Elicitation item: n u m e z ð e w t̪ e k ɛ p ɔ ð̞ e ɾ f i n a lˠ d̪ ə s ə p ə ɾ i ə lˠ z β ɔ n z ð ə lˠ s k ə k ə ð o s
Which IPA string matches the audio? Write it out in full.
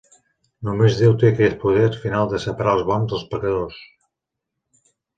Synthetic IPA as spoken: n u m e z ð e w t̪ e k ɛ p u ð̞ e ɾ f i n a lˠ d̪ ə s ə p ə ɾ a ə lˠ z β ɔ n z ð ə lˠ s p ə k ə ð o s